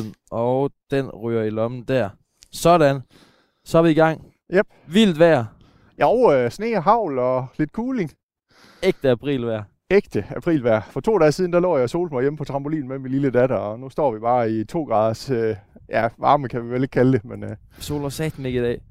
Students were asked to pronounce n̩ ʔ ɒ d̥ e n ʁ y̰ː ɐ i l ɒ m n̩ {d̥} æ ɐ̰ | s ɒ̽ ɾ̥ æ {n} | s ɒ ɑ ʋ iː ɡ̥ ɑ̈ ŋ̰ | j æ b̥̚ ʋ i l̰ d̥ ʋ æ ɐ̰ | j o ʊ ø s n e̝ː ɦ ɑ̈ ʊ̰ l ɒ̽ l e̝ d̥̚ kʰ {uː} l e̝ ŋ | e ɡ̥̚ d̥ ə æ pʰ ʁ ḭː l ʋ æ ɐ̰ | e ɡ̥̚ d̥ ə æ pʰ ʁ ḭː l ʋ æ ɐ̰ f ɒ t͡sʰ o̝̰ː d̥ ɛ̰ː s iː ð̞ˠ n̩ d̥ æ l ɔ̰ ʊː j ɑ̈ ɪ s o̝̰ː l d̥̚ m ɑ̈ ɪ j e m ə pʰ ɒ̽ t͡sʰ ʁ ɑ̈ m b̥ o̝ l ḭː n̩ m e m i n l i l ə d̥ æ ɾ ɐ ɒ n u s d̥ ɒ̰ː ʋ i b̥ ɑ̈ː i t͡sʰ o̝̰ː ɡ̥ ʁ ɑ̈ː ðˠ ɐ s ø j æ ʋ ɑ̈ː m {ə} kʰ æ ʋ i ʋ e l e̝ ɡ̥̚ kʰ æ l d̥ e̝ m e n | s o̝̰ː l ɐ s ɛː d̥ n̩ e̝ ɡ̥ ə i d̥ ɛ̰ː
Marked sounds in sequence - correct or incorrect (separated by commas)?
correct, correct, correct, correct